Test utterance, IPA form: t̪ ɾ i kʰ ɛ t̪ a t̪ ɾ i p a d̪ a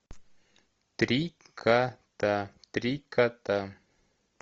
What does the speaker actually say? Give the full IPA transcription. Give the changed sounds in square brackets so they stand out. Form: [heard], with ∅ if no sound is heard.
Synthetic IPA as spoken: t̪ ɾ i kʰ [a] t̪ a t̪ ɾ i [k] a [t̪] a